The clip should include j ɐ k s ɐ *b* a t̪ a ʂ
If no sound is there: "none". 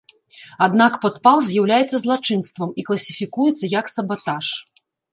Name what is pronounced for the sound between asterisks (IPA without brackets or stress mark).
b